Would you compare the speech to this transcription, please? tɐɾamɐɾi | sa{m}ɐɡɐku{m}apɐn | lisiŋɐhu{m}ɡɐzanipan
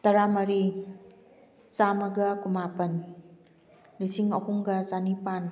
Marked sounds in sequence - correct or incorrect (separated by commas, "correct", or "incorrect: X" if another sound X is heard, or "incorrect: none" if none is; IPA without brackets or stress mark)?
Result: correct, correct, incorrect: ŋ